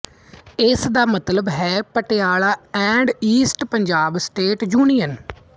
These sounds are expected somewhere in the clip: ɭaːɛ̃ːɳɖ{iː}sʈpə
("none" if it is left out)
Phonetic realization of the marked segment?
iː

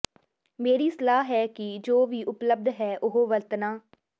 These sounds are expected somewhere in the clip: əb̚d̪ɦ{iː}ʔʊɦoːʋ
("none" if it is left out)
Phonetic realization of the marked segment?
ɛː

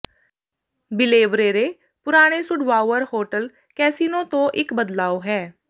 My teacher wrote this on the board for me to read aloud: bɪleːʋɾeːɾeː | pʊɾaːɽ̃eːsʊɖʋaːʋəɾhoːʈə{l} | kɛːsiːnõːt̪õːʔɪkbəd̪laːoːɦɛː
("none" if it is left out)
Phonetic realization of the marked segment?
l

